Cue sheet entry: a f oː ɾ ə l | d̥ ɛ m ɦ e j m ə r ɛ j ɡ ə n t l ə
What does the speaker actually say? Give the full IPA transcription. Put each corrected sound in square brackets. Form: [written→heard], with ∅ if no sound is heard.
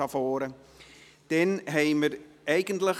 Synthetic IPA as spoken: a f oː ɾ ə [l→∅] | d̥ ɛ [m→n] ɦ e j m ə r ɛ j ɡ ə n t l ə